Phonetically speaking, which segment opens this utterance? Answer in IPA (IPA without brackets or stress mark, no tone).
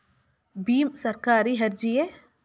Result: b